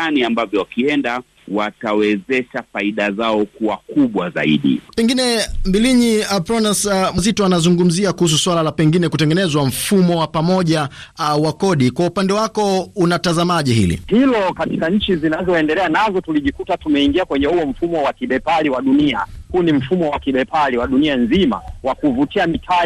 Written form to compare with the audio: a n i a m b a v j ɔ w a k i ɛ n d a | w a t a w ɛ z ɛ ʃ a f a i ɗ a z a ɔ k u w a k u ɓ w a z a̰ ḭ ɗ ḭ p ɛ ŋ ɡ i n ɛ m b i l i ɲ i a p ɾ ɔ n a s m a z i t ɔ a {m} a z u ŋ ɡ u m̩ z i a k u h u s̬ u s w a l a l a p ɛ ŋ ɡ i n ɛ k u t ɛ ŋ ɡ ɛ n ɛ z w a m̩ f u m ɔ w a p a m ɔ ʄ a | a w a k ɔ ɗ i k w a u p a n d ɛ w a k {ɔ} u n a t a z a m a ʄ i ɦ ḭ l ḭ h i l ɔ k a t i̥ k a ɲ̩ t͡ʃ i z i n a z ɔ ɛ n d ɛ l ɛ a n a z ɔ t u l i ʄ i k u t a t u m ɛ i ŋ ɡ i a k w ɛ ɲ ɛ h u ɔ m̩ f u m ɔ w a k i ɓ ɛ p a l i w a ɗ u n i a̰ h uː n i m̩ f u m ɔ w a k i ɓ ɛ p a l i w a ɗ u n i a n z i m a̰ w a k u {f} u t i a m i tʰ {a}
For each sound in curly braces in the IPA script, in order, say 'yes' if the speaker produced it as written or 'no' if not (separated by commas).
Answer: no, yes, no, yes